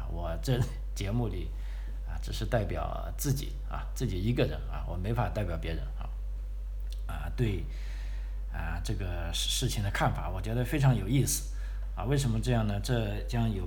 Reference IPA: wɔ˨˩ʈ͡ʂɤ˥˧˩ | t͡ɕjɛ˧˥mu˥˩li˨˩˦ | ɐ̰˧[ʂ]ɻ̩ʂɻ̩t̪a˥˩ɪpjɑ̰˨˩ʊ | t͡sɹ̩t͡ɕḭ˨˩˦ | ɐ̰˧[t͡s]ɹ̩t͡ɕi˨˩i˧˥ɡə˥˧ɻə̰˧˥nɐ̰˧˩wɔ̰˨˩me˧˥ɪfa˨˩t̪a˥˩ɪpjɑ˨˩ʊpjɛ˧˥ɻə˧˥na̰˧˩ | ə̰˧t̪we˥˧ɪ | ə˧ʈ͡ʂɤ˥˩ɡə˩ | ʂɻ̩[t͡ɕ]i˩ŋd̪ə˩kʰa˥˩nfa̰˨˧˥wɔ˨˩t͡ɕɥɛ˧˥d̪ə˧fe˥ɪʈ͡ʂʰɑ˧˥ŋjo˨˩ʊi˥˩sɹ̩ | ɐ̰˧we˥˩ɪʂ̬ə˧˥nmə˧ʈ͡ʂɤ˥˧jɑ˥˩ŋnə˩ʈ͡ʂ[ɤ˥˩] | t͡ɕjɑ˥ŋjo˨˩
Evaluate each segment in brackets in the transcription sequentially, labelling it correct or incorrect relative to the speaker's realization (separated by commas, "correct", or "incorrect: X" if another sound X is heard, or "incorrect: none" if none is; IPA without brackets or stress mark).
incorrect: ʈ͡ʂ, correct, incorrect: t͡ɕʰ, correct